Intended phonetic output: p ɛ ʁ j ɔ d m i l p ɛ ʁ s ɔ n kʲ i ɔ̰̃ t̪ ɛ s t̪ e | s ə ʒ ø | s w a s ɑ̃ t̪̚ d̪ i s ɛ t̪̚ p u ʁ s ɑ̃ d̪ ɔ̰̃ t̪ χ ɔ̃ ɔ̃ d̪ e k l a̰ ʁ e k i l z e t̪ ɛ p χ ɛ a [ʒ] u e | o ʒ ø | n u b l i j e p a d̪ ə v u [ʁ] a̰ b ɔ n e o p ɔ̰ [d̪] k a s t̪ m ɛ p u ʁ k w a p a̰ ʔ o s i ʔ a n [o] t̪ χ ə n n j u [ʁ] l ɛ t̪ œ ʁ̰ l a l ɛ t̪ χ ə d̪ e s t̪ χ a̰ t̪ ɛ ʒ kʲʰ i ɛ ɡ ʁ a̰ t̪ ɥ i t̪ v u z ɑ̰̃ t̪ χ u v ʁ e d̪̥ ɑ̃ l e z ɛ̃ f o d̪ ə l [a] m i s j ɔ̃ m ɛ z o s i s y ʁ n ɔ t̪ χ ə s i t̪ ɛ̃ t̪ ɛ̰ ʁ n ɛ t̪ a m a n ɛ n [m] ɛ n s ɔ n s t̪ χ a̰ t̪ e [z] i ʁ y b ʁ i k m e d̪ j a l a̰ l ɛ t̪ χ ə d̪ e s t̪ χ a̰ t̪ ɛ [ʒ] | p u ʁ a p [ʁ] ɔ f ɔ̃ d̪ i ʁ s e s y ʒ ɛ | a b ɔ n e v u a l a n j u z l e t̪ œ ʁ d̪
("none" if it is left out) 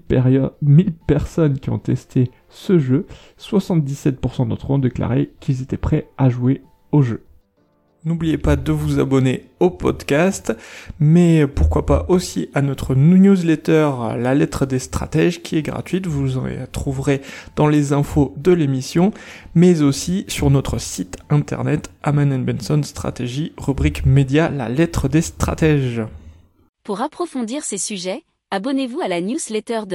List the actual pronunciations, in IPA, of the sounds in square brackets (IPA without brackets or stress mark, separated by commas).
ʒ, z, d̪, ɔ, z, e, b, ʒ, ʒ, χ